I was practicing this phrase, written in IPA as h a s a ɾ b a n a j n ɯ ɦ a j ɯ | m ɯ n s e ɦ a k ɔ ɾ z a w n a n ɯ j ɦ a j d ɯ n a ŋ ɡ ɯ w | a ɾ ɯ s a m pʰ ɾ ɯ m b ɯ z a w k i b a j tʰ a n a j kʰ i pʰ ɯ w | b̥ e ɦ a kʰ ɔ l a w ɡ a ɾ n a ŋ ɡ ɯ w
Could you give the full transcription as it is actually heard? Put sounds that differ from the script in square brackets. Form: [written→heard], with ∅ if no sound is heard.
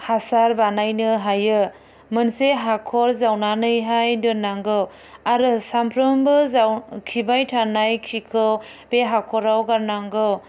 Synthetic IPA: h a s a ɾ b a n a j n ɯ ɦ a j ɯ | m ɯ n s e ɦ a [k→kʰ] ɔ ɾ z a w n a n ɯ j ɦ a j d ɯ n a ŋ ɡ ɯ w | a ɾ ɯ s a m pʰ ɾ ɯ m b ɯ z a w [k→kʰ] i b a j tʰ a n a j kʰ i [pʰ→kʰ] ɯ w | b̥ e ɦ a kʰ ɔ [l→ɾ] a w ɡ a ɾ n a ŋ ɡ ɯ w